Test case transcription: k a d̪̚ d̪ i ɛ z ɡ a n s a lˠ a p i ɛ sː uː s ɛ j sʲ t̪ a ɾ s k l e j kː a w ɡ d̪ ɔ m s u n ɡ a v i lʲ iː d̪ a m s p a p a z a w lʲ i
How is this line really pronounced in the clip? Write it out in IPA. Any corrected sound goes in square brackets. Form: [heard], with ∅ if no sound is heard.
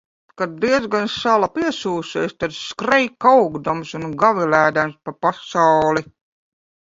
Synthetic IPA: k a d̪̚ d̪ i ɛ z ɡ a n s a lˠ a p i ɛ [s] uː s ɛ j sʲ t̪ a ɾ s k [ɾ] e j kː a w ɡ d̪ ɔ m s u n ɡ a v i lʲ [æː] d̪ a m s p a p a [s] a w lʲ i